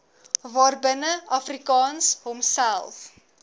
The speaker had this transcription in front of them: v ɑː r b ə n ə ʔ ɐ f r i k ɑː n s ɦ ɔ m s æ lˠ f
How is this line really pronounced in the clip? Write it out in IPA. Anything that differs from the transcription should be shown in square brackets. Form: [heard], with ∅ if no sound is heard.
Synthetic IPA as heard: v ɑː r b ə n ə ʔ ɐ f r i k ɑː n s ɦ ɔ m s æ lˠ f

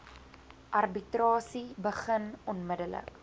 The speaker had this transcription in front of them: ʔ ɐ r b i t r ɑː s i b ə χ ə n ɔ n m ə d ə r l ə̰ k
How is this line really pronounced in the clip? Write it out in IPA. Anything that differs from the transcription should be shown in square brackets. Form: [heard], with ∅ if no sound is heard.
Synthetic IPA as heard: ʔ ɐ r b i t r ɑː s i b ə χ ə n ɔ n m ə d ə [∅] l ə̰ k

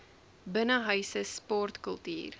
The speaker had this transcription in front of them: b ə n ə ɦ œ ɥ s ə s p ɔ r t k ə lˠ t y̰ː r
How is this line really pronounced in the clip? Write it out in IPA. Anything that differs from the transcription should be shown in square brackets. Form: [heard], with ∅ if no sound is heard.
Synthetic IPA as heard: b ə n ə ɦ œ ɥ s ə s p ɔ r t k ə lˠ t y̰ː r

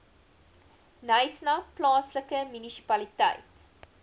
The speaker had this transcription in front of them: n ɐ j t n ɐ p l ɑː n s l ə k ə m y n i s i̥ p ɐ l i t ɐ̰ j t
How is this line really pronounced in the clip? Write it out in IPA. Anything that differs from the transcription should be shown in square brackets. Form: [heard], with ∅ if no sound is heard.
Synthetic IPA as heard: n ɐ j [s] n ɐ p l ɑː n s l ə k ə m y n i s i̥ p ɐ l i t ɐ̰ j t

